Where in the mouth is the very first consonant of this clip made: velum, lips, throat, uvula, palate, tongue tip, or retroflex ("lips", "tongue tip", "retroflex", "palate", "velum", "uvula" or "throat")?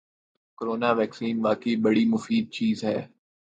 velum